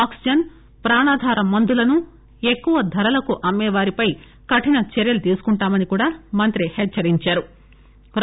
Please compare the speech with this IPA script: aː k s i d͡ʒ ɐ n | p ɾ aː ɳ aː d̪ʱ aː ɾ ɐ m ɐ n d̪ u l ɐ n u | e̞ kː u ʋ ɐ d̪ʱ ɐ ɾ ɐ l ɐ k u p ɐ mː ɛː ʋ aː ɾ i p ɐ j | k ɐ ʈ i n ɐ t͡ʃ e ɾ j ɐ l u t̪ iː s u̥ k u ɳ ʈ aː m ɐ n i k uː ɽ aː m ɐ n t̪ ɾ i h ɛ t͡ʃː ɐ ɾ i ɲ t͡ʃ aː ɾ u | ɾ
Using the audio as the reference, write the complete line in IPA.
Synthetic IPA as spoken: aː k s i d͡ʒ ɐ n | p ɾ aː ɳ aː d̪ʱ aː ɾ ɐ m ɐ n d̪ u l ɐ n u | e̞ kː u ʋ ɐ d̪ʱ ɐ ɾ ɐ l ɐ k u ʔ ɐ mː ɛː ʋ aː ɾ i p ɐ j | k ɐ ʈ i n ɐ t͡ʃ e ɾ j ɐ l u t̪ iː s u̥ k u ɳ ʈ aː m ɐ n i k uː ɽ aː m ɐ n t̪ ɾ i h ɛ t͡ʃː ɐ ɾ i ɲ t͡ʃ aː ɾ u | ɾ